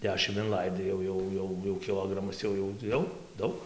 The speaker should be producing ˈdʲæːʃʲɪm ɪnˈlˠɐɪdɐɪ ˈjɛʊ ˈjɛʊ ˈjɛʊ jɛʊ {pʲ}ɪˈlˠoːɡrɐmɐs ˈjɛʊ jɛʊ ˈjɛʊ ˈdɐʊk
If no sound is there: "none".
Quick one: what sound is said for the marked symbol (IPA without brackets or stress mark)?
kʲ